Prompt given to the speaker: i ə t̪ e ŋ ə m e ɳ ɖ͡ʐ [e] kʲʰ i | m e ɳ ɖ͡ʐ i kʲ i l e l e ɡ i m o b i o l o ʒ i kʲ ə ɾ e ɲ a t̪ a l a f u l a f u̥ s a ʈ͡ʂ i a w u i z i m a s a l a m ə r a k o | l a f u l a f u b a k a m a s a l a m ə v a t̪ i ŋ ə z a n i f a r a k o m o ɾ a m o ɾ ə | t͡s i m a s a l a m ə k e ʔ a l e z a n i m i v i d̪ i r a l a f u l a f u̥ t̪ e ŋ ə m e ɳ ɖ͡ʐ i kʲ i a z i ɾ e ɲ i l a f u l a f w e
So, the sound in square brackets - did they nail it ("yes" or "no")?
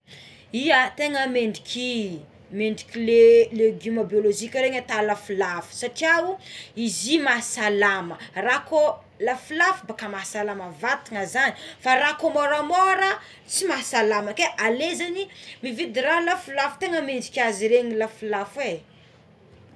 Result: no